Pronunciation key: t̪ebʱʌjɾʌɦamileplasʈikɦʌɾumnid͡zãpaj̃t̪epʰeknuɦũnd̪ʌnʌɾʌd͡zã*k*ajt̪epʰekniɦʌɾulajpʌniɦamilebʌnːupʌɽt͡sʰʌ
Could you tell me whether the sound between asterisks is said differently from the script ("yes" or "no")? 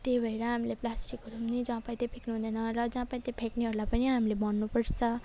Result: yes